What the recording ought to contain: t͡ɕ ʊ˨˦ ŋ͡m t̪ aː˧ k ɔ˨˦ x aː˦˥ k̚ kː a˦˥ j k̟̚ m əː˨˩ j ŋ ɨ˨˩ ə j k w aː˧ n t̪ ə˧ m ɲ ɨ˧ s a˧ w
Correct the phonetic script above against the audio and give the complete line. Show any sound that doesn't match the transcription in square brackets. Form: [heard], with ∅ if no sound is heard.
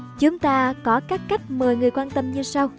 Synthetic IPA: t͡ɕ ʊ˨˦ ŋ͡m t̪ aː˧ k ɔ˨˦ [k] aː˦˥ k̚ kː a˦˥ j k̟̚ m əː˨˩ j ŋ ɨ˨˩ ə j k w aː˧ n t̪ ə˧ m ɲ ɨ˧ s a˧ w

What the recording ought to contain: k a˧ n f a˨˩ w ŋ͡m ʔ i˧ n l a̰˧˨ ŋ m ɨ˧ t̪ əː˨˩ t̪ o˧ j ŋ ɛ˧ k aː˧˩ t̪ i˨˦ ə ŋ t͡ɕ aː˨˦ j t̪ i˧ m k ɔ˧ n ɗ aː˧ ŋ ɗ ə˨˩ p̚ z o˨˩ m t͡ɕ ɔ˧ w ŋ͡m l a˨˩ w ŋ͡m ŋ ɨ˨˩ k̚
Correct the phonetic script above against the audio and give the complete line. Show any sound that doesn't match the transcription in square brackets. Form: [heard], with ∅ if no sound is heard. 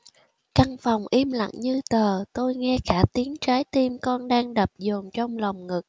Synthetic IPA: k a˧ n f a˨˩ w ŋ͡m ʔ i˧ [m] l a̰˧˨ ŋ [ɲ] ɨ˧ t̪ əː˨˩ t̪ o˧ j ŋ ɛ˧ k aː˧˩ t̪ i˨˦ ə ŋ t͡ɕ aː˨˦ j t̪ i˧ m k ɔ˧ n ɗ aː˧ ŋ ɗ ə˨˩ p̚ z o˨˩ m t͡ɕ ɔ˧ w ŋ͡m l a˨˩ w ŋ͡m ŋ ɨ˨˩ k̚

